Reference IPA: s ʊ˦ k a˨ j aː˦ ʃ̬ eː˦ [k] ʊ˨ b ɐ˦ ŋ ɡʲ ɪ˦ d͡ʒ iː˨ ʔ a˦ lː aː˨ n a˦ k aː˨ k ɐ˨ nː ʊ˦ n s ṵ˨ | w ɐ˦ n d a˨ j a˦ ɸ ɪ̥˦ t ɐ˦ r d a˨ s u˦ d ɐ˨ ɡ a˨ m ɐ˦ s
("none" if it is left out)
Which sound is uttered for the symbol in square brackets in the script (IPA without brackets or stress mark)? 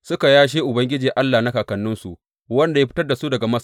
ʔ